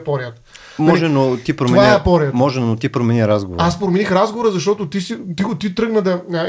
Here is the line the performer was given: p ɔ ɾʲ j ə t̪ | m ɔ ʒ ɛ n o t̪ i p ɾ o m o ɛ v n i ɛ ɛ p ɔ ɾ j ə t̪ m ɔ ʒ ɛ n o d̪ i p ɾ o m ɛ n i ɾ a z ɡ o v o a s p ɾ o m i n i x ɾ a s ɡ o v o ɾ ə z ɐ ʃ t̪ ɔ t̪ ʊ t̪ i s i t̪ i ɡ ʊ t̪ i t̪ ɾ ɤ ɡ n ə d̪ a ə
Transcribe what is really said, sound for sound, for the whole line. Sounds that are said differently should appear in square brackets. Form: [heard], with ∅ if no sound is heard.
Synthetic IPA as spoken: p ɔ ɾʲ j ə t̪ | m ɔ ʒ ɛ n o t̪ i p ɾ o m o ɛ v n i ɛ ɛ p ɔ ɾ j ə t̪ m ɔ ʒ ɛ n o [t̪] i p ɾ o m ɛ n i ɾ a z ɡ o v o a s p ɾ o m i n i x ɾ a [z] ɡ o v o ɾ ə z ɐ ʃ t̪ ɔ t̪ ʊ t̪ i s i t̪ i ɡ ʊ t̪ i t̪ ɾ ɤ ɡ n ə d̪ [ɐ] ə